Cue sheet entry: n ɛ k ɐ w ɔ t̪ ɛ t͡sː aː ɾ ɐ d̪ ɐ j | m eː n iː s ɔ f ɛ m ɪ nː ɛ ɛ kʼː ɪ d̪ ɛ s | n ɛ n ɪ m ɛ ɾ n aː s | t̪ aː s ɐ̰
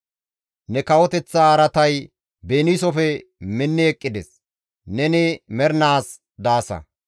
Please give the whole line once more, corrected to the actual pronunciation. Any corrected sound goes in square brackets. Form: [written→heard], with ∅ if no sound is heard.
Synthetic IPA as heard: n ɛ k ɐ w ɔ t̪ ɛ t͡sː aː ɾ ɐ [d̪→t̪] ɐ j | [m→b] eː n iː s ɔ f ɛ m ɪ nː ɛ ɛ kʼː ɪ d̪ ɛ s | n ɛ n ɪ m ɛ ɾ n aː s | [t̪→d̪] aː s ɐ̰